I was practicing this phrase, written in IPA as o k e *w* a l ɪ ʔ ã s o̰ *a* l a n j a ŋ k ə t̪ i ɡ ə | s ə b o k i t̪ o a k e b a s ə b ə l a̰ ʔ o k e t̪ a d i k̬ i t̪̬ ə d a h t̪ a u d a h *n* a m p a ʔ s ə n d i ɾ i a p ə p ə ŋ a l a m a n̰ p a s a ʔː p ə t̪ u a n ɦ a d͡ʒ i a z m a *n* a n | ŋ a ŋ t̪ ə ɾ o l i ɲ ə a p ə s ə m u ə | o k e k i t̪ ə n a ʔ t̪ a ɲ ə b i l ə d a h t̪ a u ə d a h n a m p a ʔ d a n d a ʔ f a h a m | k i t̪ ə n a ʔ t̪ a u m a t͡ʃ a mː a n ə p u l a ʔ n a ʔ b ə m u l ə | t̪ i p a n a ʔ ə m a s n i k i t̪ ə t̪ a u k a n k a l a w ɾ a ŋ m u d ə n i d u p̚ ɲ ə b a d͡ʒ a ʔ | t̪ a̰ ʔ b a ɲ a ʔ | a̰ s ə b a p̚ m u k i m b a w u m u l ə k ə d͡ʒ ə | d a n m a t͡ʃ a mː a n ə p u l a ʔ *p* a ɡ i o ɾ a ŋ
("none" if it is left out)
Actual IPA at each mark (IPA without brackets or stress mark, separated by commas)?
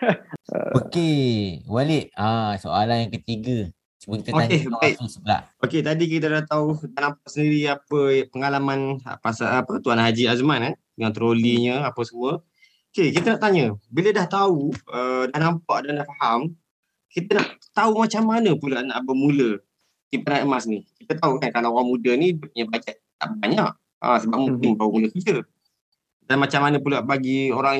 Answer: w, a, n, n, b